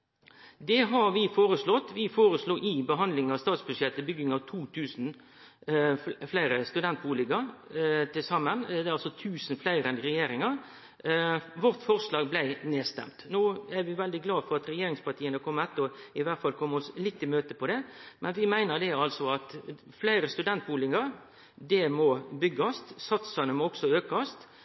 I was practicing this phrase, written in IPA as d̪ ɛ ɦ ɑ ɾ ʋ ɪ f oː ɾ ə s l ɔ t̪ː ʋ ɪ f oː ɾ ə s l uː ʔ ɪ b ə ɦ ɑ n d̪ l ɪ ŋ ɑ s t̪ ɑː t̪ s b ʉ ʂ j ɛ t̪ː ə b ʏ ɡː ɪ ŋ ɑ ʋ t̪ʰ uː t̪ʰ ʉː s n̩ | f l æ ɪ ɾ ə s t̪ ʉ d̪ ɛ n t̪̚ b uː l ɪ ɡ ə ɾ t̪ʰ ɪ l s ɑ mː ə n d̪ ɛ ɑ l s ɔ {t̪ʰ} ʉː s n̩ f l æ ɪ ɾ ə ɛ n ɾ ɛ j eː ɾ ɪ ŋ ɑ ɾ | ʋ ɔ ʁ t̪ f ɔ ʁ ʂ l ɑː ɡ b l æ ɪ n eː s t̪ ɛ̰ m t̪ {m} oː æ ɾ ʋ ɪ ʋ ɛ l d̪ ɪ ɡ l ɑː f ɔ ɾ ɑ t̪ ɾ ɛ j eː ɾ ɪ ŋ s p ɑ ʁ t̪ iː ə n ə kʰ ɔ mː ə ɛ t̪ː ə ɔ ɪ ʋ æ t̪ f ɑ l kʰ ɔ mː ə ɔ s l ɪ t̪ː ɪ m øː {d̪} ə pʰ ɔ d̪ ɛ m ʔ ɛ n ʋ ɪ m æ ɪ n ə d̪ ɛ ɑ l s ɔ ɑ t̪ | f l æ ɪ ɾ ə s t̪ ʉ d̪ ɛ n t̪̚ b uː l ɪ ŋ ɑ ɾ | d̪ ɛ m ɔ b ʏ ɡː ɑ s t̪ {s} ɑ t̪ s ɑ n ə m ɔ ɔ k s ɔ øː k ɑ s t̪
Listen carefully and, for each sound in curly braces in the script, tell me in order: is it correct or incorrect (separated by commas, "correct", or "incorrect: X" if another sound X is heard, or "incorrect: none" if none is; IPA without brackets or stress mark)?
correct, incorrect: n, incorrect: t̪, correct